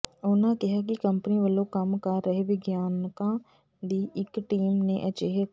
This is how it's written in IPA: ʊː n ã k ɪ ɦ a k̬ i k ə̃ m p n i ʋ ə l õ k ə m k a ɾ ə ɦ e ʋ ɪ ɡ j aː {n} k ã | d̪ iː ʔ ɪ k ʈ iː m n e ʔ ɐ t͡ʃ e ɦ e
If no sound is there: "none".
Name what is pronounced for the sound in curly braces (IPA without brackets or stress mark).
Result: n